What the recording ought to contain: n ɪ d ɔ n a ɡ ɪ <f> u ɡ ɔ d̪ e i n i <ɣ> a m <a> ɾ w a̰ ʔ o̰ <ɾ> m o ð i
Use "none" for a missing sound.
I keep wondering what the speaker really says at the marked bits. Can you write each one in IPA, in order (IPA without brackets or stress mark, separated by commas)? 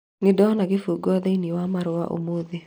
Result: f, w, a, none